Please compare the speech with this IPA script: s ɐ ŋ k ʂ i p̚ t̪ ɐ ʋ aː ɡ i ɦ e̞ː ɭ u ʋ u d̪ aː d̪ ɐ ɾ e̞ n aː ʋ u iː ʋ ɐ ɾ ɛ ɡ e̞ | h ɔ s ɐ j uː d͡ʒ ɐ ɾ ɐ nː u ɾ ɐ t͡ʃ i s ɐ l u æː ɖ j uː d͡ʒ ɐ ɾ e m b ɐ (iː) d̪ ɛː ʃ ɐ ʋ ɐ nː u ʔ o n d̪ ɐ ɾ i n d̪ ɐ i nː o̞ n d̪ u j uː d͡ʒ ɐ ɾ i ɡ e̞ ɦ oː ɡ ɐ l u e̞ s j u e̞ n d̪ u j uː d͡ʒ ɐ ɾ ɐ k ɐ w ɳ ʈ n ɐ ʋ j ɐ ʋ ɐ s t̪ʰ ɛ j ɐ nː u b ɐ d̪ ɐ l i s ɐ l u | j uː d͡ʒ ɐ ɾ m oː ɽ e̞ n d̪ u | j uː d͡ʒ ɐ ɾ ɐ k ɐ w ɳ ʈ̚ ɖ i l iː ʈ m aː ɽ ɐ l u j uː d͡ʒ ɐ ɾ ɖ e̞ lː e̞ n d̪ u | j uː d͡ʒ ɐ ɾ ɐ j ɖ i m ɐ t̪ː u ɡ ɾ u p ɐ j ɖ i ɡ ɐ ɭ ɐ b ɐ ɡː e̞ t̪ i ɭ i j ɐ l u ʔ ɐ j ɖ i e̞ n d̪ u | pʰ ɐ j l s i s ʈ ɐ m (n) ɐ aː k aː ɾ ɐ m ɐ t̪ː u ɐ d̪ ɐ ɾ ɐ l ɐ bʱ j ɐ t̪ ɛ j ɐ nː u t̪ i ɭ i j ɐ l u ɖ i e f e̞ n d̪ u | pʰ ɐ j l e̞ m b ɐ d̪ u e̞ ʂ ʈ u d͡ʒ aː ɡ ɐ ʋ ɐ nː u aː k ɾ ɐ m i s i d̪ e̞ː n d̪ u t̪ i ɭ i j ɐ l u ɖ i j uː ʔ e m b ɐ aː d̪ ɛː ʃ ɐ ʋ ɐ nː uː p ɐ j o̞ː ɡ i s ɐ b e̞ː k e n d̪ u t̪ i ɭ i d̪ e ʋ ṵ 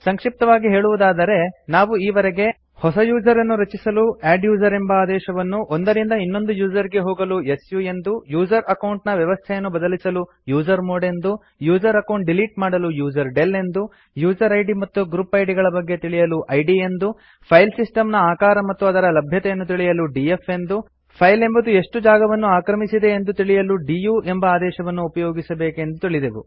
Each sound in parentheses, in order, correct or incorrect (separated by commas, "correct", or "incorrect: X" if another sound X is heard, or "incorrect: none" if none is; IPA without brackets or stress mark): incorrect: aː, correct